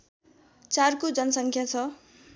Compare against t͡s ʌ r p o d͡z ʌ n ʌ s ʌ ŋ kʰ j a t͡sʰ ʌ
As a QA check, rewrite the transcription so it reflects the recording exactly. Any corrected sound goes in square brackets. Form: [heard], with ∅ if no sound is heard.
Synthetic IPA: t͡s [a] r [k] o d͡z ʌ n ʌ s ʌ ŋ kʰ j a t͡sʰ ʌ